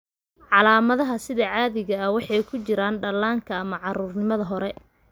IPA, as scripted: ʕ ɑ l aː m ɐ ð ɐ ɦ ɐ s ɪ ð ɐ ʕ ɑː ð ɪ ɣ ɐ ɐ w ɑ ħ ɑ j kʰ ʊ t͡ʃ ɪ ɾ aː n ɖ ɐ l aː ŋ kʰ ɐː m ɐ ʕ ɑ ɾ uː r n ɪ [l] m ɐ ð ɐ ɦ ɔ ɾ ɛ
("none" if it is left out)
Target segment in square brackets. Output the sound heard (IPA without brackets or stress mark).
none